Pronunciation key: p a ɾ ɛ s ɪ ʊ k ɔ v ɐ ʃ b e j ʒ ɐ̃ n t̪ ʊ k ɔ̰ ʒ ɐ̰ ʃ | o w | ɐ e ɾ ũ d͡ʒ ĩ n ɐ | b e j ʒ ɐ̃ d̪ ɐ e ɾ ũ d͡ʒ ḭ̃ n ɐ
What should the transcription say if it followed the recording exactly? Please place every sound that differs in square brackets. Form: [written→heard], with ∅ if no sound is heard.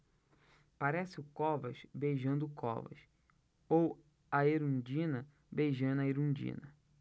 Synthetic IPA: p a ɾ ɛ s ɪ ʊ k ɔ v ɐ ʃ b e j ʒ ɐ̃ n [t̪→d̪] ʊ k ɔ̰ [ʒ→v] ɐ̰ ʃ | o w | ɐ e ɾ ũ d͡ʒ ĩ n ɐ | b e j ʒ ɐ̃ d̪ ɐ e ɾ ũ d͡ʒ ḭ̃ n ɐ